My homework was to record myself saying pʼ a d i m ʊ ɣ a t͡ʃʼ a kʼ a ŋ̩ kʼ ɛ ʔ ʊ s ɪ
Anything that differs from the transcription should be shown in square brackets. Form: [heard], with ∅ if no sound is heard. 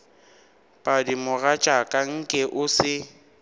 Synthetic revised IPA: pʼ a d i m ʊ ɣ a t͡ʃʼ a kʼ a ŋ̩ kʼ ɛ ʔ ʊ s ɪ